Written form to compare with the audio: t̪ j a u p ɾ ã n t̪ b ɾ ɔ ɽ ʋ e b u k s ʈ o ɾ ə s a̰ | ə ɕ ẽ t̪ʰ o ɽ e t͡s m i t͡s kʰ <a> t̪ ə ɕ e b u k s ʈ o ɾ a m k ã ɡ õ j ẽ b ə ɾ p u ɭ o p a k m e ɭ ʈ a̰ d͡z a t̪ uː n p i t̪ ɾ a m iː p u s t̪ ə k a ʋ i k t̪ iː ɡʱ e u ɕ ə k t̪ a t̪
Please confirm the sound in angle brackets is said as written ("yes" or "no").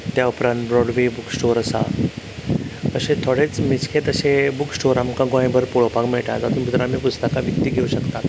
no